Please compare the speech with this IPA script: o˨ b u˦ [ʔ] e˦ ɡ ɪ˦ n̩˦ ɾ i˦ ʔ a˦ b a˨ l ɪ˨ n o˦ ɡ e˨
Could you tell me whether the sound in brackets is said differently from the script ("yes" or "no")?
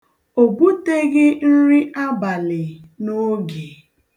yes